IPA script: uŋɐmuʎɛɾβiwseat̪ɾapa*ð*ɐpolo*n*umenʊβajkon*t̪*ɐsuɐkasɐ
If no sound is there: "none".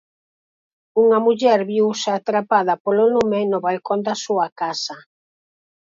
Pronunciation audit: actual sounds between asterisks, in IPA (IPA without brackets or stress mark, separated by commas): ð, n, d̪